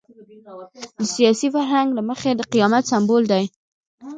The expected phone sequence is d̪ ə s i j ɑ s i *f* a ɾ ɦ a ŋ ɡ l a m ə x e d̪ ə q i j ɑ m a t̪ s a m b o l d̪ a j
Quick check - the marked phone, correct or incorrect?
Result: correct